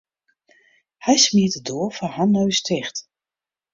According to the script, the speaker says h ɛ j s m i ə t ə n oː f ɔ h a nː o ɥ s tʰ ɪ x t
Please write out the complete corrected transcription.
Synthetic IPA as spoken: h ɛ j s m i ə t ə d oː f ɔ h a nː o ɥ s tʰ ɪ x t